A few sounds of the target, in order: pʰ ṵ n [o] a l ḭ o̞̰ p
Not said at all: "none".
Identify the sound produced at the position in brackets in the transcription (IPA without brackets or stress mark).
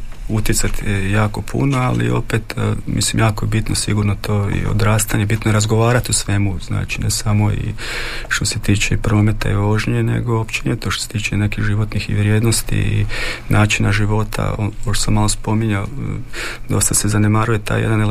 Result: o